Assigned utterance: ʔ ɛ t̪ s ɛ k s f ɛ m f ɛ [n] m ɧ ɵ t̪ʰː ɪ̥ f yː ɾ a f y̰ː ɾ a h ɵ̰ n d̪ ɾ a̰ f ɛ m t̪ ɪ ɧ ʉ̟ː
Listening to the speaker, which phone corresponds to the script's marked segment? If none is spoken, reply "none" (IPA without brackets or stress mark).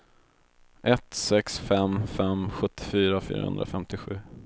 none